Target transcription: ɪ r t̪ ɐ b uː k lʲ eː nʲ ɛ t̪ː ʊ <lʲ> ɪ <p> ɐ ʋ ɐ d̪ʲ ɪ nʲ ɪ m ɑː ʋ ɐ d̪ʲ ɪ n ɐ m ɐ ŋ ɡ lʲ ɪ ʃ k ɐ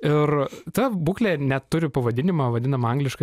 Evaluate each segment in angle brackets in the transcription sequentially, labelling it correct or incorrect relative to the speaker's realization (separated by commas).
incorrect, correct